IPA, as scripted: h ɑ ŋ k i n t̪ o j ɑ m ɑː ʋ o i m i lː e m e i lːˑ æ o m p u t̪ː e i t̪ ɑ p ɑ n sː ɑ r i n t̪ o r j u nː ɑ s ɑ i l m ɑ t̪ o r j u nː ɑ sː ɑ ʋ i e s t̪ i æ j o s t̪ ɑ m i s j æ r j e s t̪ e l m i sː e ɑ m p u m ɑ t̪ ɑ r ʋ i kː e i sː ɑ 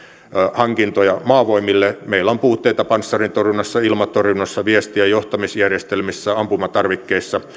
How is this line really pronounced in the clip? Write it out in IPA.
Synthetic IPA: h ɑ ŋ k i n t̪ o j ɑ m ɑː ʋ o i m i lː e m e i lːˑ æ o m p uː t̪ː e i t̪ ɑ p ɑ n sː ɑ r i n t̪ o r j u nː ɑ sː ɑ i l m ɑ t̪ o r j u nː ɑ sː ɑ ʋ i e s t̪ i æ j o h t̪ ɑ m i s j æ r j e s t̪ e l m i sː æ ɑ m p u m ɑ t̪ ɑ r ʋ i kː e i sː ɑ